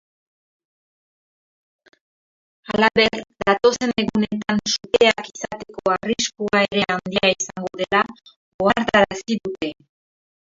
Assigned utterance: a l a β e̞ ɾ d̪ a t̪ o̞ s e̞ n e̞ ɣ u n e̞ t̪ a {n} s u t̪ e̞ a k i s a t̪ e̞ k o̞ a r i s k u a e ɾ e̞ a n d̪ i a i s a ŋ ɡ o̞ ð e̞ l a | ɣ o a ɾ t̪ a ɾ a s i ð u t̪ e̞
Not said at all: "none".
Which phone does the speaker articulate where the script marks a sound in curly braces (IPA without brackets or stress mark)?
n